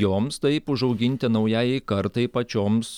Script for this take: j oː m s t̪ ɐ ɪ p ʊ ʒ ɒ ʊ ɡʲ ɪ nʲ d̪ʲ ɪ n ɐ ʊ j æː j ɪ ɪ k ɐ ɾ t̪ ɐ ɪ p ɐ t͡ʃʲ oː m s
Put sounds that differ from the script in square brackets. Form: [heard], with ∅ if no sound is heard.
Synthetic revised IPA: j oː m s t̪ ɐ ɪ p ʊ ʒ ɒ ʊ ɡʲ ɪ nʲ [t̪ʲ] ɪ n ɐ ʊ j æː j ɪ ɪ k ɐ ɾ t̪ ɐ ɪ p ɐ t͡ʃʲ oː m s